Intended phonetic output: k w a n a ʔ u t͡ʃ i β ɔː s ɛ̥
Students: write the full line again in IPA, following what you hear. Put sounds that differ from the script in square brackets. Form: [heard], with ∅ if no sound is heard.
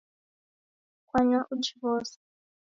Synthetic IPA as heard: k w a [ɲ] a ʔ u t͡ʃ i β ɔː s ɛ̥